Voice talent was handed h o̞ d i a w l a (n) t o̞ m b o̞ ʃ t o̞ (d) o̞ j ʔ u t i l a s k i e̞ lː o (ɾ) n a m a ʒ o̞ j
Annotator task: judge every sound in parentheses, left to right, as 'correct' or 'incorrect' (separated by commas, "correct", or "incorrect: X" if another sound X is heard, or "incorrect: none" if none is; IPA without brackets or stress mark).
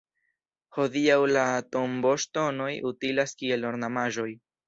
incorrect: none, incorrect: n, correct